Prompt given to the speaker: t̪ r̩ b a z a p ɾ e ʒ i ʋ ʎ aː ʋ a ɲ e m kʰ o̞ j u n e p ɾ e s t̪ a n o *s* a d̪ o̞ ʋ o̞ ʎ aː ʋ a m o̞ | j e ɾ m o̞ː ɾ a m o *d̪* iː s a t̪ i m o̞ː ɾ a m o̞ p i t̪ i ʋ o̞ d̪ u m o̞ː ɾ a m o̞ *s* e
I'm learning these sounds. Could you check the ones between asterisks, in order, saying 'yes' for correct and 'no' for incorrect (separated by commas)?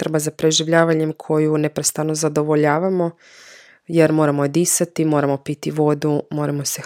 no, yes, yes